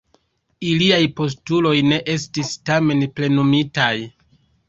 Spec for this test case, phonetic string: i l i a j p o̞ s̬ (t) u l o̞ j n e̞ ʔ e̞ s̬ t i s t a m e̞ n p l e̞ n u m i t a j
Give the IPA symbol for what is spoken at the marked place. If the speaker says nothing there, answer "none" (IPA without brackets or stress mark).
t